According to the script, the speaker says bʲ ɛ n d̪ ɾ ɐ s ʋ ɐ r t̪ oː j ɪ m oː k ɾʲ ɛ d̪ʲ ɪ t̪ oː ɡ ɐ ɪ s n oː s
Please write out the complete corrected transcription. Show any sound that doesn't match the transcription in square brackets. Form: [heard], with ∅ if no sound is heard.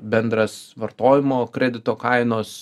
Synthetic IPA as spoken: bʲ ɛ n d̪ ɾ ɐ s ʋ ɐ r t̪ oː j ɪ m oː k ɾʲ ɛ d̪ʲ ɪ t̪ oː [k] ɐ ɪ [∅] n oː s

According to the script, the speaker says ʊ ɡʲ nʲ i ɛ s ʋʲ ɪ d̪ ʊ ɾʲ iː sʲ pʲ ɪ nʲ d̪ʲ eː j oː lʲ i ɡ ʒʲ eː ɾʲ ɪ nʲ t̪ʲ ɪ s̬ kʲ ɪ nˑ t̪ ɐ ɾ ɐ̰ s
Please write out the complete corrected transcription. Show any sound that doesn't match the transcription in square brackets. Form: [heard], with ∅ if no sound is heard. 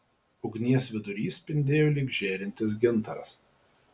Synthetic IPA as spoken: ʊ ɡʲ nʲ i ɛ s ʋʲ ɪ d̪ ʊ ɾʲ iː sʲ pʲ ɪ nʲ d̪ʲ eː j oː lʲ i ɡ ʒʲ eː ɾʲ ɪ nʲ t̪ʲ ɪ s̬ [ɡʲ] ɪ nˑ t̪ ɐ ɾ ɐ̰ s

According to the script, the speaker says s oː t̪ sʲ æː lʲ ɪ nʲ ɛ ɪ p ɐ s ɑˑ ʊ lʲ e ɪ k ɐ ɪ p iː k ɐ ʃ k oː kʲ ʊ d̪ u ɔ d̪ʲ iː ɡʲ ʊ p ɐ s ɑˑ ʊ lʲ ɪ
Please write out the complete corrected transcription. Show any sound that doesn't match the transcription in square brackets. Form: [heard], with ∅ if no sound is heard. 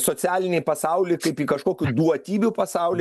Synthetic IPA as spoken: s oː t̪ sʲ æː lʲ ɪ nʲ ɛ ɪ p ɐ s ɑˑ ʊ lʲ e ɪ k ɐ ɪ p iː k ɐ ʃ k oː kʲ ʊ d̪ u ɔ [t̪ʲ] iː [bʲ] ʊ p ɐ s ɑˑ ʊ lʲ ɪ

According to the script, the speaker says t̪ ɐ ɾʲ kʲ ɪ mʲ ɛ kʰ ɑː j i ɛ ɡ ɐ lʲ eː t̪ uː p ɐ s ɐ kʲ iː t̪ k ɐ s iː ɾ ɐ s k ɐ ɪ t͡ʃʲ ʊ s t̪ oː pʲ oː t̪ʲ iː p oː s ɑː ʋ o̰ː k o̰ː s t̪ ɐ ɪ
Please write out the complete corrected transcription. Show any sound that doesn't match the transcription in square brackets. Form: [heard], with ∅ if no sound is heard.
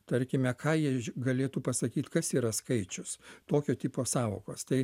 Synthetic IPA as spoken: t̪ ɐ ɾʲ kʲ ɪ mʲ ɛ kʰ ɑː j i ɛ ɡ ɐ lʲ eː t̪ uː p ɐ s ɐ kʲ iː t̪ k ɐ s iː ɾ ɐ s k ɐ ɪ t͡ʃʲ ʊ s t̪ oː [kʲ] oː t̪ʲ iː p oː s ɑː ʋ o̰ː k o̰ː s t̪ ɐ ɪ

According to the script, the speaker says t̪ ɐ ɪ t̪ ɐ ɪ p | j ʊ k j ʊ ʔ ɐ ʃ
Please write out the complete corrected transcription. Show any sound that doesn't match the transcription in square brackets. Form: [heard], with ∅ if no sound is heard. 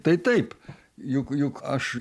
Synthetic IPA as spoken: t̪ ɐ ɪ t̪ ɐ ɪ p | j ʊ k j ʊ [k] ɐ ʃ

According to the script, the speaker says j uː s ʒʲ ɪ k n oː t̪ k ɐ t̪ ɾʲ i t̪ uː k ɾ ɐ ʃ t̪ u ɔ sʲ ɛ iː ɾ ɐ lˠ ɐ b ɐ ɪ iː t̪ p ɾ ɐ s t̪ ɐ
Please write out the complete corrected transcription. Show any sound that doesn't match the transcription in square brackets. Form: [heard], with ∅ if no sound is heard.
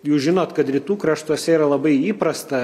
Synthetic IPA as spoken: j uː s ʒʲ ɪ [∅] n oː t̪ k ɐ t̪ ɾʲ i t̪ uː k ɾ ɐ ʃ t̪ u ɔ sʲ ɛ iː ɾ ɐ lˠ ɐ b ɐ ɪ iː [∅] p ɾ ɐ s t̪ ɐ

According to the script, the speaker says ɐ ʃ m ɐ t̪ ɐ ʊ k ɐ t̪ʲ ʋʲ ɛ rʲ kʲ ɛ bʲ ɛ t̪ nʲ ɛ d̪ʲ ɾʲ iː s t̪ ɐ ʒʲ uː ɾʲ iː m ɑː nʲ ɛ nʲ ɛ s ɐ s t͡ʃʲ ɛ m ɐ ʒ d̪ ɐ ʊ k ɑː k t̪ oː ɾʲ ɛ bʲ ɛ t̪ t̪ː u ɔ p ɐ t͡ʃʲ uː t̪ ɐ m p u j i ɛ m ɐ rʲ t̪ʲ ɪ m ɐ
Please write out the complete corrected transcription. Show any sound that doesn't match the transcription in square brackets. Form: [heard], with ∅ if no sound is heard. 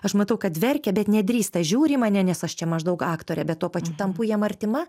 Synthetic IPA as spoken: ɐ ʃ m ɐ t̪ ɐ ʊ k ɐ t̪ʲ ʋʲ ɛ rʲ kʲ ɛ bʲ ɛ t̪ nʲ ɛ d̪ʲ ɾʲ iː s t̪ ɐ ʒʲ uː ɾʲ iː m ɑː nʲ ɛ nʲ ɛ s ɐ [ʃ] t͡ʃʲ ɛ m ɐ ʒ d̪ ɐ ʊ k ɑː k t̪ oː ɾʲ ɛ bʲ ɛ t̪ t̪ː u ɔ p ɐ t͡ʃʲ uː t̪ ɐ m p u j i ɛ m ɐ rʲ t̪ʲ ɪ m ɐ

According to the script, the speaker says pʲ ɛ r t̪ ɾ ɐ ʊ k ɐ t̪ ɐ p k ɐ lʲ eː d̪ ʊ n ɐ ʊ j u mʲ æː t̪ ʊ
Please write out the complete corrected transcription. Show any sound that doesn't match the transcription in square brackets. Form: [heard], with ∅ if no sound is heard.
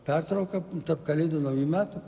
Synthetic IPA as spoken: pʲ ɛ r t̪ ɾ ɐ ʊ k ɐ t̪ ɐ p k ɐ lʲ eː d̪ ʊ n ɐ ʊ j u mʲ æː t̪ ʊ

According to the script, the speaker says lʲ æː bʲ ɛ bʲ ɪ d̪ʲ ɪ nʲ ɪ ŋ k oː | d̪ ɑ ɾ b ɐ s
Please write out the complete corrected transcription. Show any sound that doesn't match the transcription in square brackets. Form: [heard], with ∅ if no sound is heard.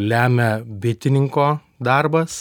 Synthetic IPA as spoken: lʲ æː [mʲ] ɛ bʲ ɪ [t̪ʲ] ɪ nʲ ɪ ŋ k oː | d̪ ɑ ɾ b ɐ s

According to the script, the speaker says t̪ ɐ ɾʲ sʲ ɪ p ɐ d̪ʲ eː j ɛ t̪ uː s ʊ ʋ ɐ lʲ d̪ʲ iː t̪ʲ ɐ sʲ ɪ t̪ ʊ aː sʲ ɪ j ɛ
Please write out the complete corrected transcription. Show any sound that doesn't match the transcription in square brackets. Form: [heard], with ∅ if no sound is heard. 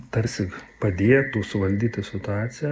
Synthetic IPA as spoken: t̪ ɐ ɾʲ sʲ ɪ p ɐ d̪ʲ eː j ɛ t̪ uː s ʊ ʋ ɐ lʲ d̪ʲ iː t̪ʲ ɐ sʲ ɪ t̪ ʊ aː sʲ ɪ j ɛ

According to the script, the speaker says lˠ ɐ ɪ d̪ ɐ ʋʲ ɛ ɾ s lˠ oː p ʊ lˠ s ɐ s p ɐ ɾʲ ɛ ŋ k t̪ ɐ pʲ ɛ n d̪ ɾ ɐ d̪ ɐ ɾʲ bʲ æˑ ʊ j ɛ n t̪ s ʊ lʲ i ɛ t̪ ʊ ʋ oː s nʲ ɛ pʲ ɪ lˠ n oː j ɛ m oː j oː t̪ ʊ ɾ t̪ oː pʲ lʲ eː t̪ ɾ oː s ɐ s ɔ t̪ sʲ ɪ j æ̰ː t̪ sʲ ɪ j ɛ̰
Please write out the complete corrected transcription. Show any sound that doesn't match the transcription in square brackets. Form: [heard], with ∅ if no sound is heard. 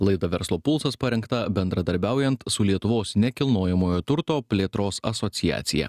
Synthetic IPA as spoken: lˠ ɐ ɪ d̪ ɐ ʋʲ ɛ ɾ s lˠ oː p ʊ lˠ s ɐ s p ɐ ɾʲ ɛ ŋ k t̪ ɐ [bʲ] ɛ n d̪ ɾ ɐ d̪ ɐ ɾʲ bʲ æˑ ʊ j ɛ n t̪ s ʊ lʲ i ɛ t̪ ʊ ʋ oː s nʲ ɛ [kʲ] ɪ lˠ n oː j ɛ m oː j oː t̪ ʊ ɾ t̪ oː pʲ lʲ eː t̪ ɾ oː s ɐ s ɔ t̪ sʲ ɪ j æ̰ː t̪ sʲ ɪ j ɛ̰

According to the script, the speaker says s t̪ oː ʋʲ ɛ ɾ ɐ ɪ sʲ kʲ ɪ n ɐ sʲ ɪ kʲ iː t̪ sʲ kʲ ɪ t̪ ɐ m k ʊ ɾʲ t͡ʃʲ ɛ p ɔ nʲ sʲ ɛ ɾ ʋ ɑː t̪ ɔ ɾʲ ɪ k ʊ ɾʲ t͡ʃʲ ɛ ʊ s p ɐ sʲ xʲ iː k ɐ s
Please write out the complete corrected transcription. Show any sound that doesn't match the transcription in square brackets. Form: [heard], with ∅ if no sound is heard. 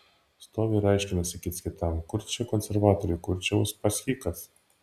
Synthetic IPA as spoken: s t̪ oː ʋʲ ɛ ɾ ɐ ɪ [ʃʲ] kʲ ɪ n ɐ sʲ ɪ kʲ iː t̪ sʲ kʲ ɪ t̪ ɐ m k ʊ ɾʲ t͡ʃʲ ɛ [k] ɔ nʲ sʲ ɛ ɾ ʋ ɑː t̪ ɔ ɾʲ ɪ k ʊ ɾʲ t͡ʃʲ ɛ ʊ s p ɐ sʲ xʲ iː k ɐ s

